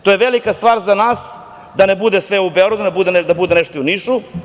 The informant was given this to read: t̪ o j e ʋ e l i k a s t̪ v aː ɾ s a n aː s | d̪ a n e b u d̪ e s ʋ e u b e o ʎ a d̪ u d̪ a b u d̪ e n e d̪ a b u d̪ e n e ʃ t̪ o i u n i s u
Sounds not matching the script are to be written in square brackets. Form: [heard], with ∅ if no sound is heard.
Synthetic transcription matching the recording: t̪ o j e ʋ e l i k a s t̪ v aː ɾ [z] a n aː s | d̪ a n e b u d̪ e s ʋ e u b e o [ɾ] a d̪ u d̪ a b u d̪ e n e d̪ a b u d̪ e n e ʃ t̪ o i u n i [ʃ] u

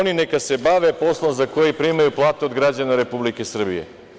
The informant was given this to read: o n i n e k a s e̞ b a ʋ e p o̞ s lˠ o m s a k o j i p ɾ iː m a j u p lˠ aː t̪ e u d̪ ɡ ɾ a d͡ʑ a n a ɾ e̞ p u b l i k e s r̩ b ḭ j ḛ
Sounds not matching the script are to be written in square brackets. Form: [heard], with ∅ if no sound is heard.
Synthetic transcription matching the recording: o n i n e k a s e̞ b a ʋ e p o̞ s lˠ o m [z] a k o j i p ɾ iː m a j u p lˠ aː t̪ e [o] d̪ ɡ ɾ a d͡ʑ a n a ɾ e̞ p u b l i k e s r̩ b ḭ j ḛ

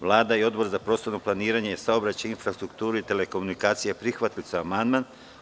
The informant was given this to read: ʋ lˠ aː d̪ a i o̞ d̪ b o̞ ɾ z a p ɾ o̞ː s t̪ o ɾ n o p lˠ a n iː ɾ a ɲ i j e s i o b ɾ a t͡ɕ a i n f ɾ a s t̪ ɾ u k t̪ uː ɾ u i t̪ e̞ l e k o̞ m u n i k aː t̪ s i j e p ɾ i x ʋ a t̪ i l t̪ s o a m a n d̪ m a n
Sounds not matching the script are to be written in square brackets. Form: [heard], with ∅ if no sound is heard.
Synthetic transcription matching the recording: ʋ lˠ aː d̪ a i o̞ d̪ b o̞ ɾ z a p ɾ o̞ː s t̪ o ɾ n o p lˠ a n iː ɾ a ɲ [e] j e s [a] o b ɾ a t͡ɕ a i n f ɾ a s t̪ ɾ u k t̪ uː ɾ u i t̪ e̞ l e k o̞ m u n i k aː t̪ s i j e p ɾ i x ʋ a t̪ i l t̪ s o a m a n d̪ m a n

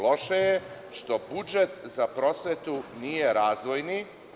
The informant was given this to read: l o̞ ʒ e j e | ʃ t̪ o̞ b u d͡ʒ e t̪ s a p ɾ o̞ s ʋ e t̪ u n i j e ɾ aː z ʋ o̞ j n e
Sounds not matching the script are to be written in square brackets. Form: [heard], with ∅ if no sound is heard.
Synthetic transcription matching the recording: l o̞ [ʃ] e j e | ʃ t̪ o̞ b u d͡ʒ e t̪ [z] a p ɾ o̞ s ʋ e t̪ u n i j e ɾ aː z ʋ o̞ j n [i]

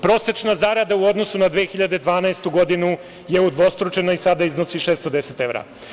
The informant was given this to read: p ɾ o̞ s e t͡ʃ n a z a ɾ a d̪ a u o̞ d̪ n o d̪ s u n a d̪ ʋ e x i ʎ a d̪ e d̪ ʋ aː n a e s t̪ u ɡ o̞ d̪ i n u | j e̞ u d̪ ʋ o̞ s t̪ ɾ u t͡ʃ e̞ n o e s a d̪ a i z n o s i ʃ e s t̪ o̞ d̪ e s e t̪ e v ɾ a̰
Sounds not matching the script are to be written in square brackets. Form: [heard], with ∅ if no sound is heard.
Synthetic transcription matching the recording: p ɾ o̞ s e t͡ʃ n a z a ɾ a d̪ a u o̞ d̪ n o [∅] s u n a d̪ ʋ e x i ʎ a d̪ e d̪ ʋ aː n a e s t̪ u ɡ o̞ d̪ i n u | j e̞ u d̪ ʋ o̞ s t̪ ɾ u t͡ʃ e̞ n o [i] s a d̪ a i z n o s i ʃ e s t̪ o̞ d̪ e s e t̪ e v ɾ a̰

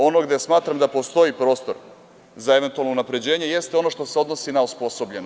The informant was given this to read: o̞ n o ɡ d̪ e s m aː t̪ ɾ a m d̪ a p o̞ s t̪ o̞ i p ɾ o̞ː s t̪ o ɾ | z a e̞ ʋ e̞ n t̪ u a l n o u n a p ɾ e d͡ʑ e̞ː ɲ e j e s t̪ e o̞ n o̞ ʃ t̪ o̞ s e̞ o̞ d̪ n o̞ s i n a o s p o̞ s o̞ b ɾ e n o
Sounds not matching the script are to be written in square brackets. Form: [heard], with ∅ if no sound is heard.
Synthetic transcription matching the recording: o̞ n o ɡ d̪ e s m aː t̪ ɾ a m d̪ a p o̞ s t̪ o̞ i p ɾ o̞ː s t̪ o ɾ | z a e̞ ʋ e̞ n t̪ u a l n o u n a p ɾ e d͡ʑ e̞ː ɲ e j e s t̪ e o̞ n o̞ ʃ t̪ o̞ s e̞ o̞ d̪ n o̞ s i n a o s p o̞ s o̞ b [ʎ] e n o

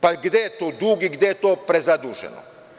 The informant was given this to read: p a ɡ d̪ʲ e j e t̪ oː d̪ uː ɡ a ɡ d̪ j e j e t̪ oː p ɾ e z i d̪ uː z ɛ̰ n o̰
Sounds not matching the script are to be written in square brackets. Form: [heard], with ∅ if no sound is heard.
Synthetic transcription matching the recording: p a ɡ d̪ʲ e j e t̪ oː d̪ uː ɡ [i] ɡ d̪ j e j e t̪ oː p ɾ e z [a] d̪ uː [ʒ] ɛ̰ n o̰

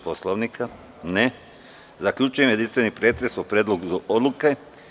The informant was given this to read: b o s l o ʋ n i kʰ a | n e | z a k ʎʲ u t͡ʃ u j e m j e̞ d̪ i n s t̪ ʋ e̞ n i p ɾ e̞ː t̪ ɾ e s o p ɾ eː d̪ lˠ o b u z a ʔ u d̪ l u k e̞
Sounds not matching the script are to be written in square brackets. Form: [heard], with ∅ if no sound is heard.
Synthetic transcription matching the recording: [p] o s l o ʋ n i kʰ a | n e | z a k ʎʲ u t͡ʃ u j e m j e̞ d̪ i n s t̪ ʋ e̞ n i p ɾ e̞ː t̪ ɾ e s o p ɾ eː d̪ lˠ o [ɡ] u z a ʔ [o] d̪ l u k e̞

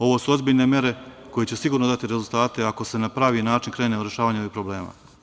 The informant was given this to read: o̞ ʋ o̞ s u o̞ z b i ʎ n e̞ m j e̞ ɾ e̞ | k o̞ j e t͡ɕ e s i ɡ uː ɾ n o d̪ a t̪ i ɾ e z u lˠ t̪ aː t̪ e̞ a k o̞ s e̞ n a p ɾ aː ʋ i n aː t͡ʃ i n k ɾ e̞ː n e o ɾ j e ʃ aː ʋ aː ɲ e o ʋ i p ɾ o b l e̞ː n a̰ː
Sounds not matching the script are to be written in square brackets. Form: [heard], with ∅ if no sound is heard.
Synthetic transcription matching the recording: o̞ ʋ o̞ s u o̞ z b i ʎ n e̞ m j e̞ ɾ e̞ | k o̞ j e t͡ɕ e s i ɡ uː ɾ n o d̪ a t̪ i ɾ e z u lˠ t̪ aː t̪ e̞ a k o̞ s e̞ n a p ɾ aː ʋ i n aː t͡ʃ i n k ɾ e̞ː n e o ɾ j e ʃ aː ʋ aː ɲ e o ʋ i p ɾ o b l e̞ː [m] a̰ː

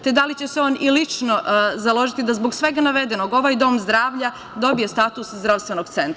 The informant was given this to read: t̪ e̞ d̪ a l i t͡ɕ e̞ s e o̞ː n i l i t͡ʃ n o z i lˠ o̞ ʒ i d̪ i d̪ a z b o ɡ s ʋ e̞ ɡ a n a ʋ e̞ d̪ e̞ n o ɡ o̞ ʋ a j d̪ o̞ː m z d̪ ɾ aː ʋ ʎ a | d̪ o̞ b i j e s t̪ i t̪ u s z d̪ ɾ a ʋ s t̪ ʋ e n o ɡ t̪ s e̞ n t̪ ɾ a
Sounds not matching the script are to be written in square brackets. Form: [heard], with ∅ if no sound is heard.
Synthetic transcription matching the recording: t̪ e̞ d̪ a l i t͡ɕ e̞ s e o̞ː n i l i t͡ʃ n o z [a] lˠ o̞ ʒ i [t̪] i d̪ a z b o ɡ s ʋ e̞ ɡ a n a ʋ e̞ d̪ e̞ n o ɡ o̞ ʋ a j d̪ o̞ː m z d̪ ɾ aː ʋ ʎ a | d̪ o̞ b i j e s t̪ [a] t̪ u s z d̪ ɾ a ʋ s t̪ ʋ e n o ɡ t̪ s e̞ n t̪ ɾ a

